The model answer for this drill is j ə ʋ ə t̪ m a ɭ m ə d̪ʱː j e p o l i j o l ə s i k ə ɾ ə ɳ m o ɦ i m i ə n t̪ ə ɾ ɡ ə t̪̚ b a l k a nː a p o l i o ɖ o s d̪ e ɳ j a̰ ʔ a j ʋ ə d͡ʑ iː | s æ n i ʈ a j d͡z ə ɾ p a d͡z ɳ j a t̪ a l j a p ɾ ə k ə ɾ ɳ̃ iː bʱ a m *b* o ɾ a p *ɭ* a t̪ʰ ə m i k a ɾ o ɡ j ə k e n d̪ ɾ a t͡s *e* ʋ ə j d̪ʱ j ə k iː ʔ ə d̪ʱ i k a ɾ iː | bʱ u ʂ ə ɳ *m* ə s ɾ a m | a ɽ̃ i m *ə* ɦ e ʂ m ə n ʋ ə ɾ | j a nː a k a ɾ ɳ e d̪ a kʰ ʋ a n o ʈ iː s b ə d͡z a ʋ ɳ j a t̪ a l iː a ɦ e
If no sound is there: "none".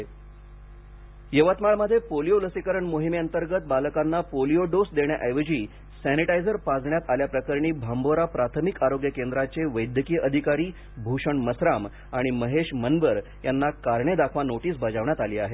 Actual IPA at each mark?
b, ɾ, e, m, ə

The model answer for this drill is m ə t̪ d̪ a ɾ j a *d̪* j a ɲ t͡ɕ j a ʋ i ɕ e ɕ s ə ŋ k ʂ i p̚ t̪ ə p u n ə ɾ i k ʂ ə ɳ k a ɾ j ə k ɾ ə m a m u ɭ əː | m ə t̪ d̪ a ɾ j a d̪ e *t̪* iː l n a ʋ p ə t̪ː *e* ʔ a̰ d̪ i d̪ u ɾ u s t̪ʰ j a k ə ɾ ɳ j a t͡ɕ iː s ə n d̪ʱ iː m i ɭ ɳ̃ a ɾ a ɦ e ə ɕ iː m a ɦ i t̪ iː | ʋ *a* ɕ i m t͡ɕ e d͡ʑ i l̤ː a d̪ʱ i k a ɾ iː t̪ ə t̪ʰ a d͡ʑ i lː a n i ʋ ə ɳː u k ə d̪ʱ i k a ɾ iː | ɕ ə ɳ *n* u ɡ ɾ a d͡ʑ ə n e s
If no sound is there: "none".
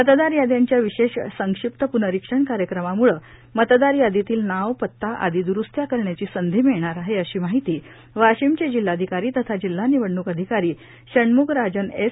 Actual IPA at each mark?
d̪, t̪, a, a, m

